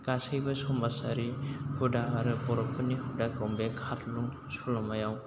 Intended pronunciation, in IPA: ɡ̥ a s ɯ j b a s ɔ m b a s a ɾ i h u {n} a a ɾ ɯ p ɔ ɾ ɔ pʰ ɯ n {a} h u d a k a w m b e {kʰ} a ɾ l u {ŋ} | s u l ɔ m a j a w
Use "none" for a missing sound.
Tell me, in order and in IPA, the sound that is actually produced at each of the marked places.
d, i, kʰ, ŋ

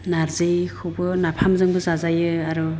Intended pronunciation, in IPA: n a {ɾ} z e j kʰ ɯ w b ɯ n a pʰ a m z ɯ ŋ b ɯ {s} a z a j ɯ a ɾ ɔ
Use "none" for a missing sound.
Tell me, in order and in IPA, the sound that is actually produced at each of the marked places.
ɾ, z

